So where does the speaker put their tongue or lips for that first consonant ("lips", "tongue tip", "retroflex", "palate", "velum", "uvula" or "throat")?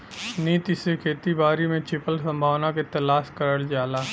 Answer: tongue tip